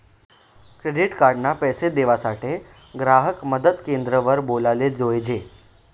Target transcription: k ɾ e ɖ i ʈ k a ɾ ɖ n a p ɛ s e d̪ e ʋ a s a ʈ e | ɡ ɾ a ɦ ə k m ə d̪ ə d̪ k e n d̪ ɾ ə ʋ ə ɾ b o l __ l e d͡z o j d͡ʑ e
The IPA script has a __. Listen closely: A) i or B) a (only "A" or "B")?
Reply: B